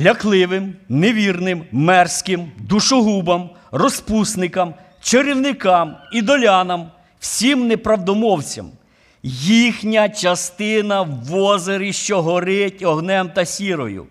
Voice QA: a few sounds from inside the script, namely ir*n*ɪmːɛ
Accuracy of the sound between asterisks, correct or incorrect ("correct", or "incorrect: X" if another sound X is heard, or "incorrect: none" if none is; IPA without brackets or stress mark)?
correct